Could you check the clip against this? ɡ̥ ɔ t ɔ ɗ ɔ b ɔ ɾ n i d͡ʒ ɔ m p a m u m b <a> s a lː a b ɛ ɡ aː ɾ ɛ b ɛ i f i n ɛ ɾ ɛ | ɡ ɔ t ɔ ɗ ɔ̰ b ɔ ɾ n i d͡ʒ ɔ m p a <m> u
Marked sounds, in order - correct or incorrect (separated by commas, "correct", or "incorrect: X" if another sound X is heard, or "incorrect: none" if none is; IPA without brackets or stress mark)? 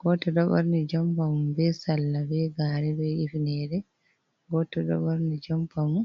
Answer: incorrect: ɛ, correct